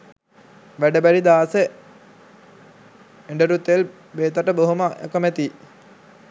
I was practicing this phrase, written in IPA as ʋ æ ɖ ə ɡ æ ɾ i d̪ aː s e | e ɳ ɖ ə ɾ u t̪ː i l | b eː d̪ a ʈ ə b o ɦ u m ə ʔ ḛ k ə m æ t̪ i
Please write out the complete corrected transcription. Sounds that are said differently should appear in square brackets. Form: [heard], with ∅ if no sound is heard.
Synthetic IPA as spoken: ʋ æ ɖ ə [b] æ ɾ i d̪ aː s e | e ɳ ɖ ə ɾ u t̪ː [e] l | b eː [t̪] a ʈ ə b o ɦ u m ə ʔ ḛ k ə m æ t̪ i